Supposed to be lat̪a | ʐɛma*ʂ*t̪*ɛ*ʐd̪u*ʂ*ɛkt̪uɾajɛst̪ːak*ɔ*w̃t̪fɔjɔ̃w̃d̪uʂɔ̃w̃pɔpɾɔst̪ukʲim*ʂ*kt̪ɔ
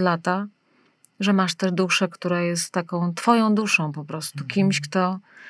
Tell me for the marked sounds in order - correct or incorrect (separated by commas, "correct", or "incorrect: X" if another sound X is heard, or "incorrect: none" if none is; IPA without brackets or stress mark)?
correct, correct, correct, incorrect: ɔ̃, incorrect: ɕ